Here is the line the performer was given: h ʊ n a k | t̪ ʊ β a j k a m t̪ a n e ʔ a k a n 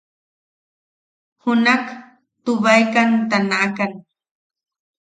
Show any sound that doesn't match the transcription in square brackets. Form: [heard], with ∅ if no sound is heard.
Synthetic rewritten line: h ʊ n a k | t̪ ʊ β a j k a [n] t̪ a n [a] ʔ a k a n